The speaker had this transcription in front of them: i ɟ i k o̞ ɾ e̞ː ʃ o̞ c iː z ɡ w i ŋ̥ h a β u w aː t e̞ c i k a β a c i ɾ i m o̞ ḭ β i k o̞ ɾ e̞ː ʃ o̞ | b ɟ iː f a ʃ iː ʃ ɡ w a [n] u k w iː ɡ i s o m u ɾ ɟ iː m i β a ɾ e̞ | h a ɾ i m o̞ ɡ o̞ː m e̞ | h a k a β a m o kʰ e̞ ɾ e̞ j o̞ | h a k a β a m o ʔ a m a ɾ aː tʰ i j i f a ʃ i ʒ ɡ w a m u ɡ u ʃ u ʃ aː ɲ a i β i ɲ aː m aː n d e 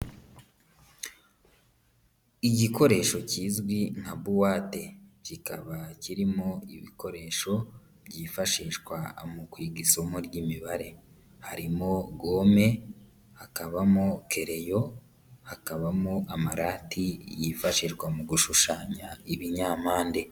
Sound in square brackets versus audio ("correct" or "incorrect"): incorrect